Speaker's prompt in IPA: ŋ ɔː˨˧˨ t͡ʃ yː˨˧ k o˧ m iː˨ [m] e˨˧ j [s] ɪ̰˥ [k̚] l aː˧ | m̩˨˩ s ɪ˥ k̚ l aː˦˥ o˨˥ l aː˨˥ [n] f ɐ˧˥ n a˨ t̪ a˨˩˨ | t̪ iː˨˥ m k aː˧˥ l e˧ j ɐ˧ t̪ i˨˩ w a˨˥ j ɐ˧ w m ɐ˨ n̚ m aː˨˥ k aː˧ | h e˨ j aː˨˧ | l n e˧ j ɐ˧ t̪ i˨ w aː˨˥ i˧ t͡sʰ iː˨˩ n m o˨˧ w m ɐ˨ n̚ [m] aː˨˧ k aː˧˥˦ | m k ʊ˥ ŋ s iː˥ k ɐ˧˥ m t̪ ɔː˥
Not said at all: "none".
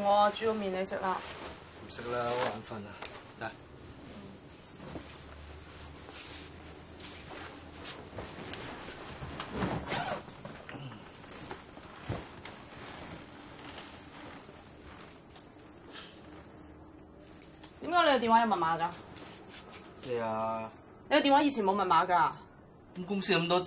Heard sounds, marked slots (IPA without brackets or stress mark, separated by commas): n, s, k̚, n, m